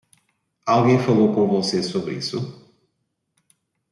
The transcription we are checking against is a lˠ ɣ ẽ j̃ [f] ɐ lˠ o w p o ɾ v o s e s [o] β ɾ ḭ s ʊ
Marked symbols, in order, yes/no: yes, yes

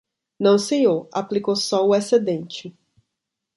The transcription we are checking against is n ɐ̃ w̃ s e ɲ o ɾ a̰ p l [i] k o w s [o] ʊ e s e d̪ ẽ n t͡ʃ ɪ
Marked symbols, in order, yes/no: yes, no

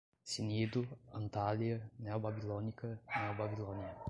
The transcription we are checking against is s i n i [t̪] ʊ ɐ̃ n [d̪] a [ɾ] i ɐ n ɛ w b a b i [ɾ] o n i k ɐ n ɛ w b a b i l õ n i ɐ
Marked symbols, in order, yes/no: no, no, no, no

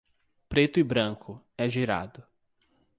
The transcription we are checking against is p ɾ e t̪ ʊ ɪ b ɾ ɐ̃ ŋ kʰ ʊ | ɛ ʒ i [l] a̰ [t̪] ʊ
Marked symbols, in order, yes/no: no, no

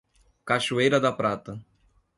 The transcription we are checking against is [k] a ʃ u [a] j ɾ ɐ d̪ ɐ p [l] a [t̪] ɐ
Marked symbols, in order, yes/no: yes, no, no, yes

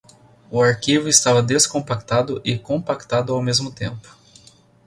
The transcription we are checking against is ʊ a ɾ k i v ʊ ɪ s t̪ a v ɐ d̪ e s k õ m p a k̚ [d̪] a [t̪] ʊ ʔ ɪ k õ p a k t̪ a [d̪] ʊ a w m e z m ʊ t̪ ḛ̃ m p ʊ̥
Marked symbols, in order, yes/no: no, no, yes

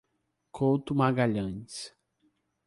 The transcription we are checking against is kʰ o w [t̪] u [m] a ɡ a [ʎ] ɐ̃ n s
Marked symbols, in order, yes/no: yes, yes, yes

